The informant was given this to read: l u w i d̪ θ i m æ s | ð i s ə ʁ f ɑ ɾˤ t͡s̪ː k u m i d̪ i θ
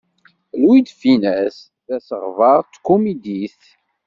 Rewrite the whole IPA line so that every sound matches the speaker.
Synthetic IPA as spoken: l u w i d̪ f i n æ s | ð æ s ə ʁ v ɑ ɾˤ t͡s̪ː k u m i d̪ i θ